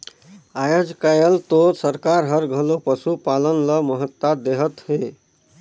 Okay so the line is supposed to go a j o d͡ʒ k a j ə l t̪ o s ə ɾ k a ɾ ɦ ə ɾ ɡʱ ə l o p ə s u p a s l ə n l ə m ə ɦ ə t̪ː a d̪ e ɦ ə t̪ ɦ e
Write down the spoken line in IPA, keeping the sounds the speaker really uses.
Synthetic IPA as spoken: a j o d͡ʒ k a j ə l t̪ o s ə ɾ k a ɾ ɦ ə ɾ ɡʱ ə l o p ə s u p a l ə n l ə m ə ɦ ə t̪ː a d̪ e ɦ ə t̪ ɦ e